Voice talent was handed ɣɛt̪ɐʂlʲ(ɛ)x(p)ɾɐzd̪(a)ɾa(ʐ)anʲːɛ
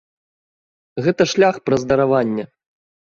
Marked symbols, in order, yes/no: no, yes, no, no

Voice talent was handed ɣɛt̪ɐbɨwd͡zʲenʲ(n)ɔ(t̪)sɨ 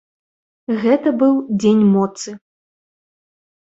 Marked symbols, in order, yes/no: no, yes

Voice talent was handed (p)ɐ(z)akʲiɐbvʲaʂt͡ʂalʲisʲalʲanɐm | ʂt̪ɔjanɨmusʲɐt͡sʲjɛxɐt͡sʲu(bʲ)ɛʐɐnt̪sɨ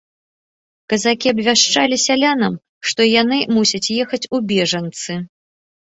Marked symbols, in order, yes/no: no, yes, yes

